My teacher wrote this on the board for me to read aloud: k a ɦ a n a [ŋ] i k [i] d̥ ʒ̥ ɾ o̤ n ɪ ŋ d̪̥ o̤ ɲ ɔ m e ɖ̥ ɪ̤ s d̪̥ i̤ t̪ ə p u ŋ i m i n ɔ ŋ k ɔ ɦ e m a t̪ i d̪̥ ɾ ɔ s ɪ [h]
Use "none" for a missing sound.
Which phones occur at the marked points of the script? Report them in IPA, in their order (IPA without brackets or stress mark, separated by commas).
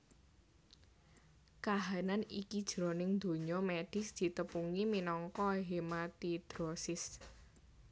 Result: n, i, s